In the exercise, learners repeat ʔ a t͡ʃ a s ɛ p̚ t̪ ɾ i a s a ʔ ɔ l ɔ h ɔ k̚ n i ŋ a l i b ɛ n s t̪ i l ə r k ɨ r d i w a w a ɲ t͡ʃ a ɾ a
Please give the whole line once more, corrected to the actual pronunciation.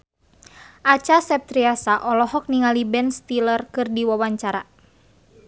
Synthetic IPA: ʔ a t͡ʃ a s ɛ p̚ t̪ ɾ i a s a ʔ ɔ l ɔ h ɔ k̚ n i ŋ a l i b ɛ n s t̪ i l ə r k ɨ r d i w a w a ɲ t͡ʃ a ɾ a